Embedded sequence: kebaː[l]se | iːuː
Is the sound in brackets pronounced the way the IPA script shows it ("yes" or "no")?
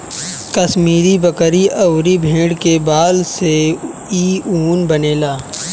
yes